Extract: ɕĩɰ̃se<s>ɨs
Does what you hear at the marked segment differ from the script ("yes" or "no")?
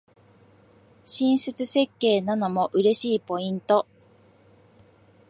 yes